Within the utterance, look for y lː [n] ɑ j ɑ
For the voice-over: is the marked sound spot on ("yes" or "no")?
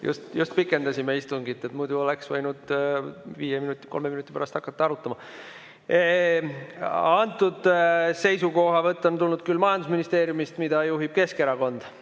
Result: no